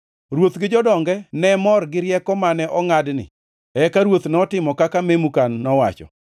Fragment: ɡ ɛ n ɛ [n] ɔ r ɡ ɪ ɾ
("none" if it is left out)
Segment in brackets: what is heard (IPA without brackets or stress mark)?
m